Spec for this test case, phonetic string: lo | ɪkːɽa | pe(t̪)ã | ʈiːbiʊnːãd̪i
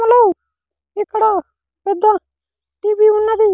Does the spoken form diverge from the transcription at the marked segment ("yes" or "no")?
yes